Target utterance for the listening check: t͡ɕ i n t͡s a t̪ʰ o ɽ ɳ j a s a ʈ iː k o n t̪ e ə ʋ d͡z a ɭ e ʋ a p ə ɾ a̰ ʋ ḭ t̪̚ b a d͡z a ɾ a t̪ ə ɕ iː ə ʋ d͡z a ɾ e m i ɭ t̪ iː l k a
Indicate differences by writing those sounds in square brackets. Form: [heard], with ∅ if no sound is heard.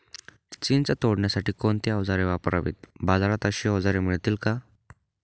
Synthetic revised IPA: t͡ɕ i n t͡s a [t̪] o ɽ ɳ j a s a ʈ iː k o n t̪ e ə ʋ d͡z a [ɾ] e ʋ a p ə ɾ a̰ ʋ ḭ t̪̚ b a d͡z a ɾ a t̪ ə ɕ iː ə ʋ d͡z a ɾ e m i ɭ t̪ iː l k a

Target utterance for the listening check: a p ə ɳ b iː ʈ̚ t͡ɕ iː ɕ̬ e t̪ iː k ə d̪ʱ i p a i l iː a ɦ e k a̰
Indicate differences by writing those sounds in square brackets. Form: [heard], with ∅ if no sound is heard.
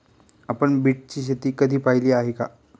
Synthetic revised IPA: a p ə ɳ b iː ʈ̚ t͡ɕ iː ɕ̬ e t̪ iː k ə d̪ʱ [iː] p a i l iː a ɦ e k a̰

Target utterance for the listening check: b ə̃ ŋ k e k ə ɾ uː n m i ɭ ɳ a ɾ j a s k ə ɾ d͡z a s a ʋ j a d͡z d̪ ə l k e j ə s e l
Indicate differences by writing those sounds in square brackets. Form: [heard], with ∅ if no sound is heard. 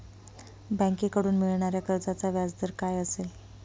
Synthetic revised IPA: b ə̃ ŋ k e k ə [ɽ] uː n m i ɭ ɳ a ɾ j a [∅] k ə ɾ d͡z a [t͡s] a ʋ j a d͡z d̪ ə [ɾ] k [a] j ə s e l

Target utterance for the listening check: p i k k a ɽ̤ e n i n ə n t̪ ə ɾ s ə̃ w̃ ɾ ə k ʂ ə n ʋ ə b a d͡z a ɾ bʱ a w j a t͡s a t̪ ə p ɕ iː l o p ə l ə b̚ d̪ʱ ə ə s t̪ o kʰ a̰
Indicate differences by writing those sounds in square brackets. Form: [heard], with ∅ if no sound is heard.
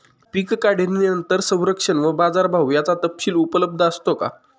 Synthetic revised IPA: p i k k a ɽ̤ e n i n ə n t̪ ə ɾ s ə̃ w̃ ɾ ə k ʂ ə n ʋ ə b a d͡z a ɾ bʱ a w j a t͡s a t̪ ə p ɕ iː l [u] p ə l ə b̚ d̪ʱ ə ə s t̪ o [k] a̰

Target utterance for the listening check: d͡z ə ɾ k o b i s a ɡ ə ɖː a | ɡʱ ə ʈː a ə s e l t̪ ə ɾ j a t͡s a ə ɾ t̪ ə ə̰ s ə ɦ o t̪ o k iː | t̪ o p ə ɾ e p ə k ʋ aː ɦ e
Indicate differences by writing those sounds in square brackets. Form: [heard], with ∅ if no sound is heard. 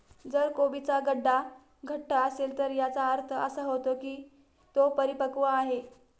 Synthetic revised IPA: d͡z ə ɾ k o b i [t͡s] a ɡ ə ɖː a | ɡʱ ə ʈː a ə s e l t̪ ə ɾ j a t͡s a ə ɾ [t̪ʰ] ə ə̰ s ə ɦ o t̪ o k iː | t̪ o p ə ɾ [i] p ə k ʋ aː ɦ e

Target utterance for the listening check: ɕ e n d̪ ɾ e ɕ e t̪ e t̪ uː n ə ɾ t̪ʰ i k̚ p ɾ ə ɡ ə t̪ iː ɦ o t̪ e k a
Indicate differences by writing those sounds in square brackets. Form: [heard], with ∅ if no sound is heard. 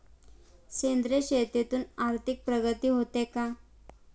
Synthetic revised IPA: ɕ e n d̪ ɾ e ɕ e t̪ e t̪ uː n [a] ɾ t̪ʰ i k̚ p ɾ ə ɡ ə t̪ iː ɦ o t̪ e k a

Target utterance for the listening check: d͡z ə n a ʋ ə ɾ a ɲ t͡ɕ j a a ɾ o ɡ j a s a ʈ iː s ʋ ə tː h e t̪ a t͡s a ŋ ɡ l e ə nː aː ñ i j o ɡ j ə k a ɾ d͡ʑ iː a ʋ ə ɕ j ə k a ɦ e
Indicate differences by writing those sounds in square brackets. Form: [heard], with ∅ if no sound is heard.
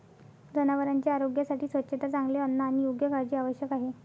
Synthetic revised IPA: d͡z ə n a ʋ ə ɾ a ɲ t͡ɕ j a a ɾ o ɡ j a s a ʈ iː s ʋ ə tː [ɕ] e t̪ a t͡s a ŋ ɡ l e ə nː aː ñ i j o ɡ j ə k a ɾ d͡ʑ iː a ʋ ə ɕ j ə k a ɦ e

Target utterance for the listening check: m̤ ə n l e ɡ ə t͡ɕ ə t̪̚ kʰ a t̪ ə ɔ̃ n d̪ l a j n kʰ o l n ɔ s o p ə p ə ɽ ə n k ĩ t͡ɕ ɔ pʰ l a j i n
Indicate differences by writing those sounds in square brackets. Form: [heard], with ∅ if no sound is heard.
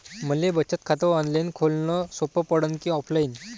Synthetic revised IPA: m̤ ə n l e [b] ə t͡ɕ ə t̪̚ kʰ a t̪ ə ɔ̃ n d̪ l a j n kʰ o l n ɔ s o p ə p ə ɽ ə n k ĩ [∅] ɔ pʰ l a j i n

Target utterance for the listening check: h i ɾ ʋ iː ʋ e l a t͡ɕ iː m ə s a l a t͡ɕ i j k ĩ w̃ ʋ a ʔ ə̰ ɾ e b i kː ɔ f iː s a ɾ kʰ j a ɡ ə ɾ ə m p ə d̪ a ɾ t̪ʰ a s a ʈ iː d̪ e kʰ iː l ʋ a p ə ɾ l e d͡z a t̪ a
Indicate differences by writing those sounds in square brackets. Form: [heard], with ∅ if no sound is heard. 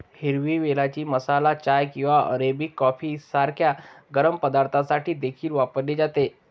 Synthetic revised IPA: h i ɾ ʋ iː ʋ e l a t͡ɕ iː m ə s a l a t͡ɕ [a] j k ĩ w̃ ʋ a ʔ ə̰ ɾ e b i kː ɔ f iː s a ɾ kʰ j a ɡ ə ɾ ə m p ə d̪ a ɾ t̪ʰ a s a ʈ iː d̪ e kʰ iː l ʋ a p ə ɾ l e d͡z a t̪ [e]

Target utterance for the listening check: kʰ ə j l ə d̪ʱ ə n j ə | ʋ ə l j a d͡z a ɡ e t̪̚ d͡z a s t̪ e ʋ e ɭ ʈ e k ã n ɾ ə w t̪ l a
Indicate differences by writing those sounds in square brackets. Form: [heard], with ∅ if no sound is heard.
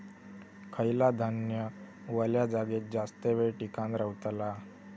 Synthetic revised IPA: kʰ ə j l [a] d̪ʱ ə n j ə | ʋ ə l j a d͡z a ɡ e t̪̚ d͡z a s t̪ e ʋ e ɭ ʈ [i] k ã n ɾ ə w t̪ l a

